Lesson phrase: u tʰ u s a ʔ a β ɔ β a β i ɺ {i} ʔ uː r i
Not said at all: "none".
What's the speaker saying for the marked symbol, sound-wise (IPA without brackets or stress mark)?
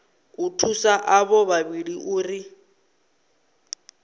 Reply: i